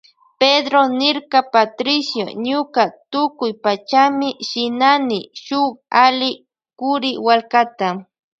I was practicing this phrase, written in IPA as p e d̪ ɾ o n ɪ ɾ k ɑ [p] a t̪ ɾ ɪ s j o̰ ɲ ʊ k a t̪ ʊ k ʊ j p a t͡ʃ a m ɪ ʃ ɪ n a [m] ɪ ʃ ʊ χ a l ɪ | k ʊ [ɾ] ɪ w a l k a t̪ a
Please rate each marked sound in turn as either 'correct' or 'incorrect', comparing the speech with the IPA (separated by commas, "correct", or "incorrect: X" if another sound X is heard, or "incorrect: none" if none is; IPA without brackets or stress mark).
correct, incorrect: n, correct